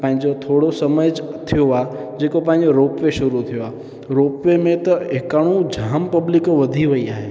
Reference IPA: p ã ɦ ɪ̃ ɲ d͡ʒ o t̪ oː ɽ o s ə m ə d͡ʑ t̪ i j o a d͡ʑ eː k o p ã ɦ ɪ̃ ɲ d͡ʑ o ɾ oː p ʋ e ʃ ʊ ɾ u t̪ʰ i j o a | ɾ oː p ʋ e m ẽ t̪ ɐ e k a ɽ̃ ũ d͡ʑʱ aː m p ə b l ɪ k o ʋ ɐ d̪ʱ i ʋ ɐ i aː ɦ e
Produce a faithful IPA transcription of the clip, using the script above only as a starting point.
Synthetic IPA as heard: p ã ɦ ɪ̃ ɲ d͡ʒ o t̪ʰ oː ɽ o s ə m ə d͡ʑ t̪ʰ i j o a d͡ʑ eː k o p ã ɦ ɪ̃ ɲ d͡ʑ o ɾ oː p ʋ e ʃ ʊ ɾ u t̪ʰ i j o a | ɾ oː p ʋ e m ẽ t̪ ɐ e k a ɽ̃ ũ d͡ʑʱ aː m p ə b l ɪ k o ʋ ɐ d̪ʱ i ʋ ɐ i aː ɦ e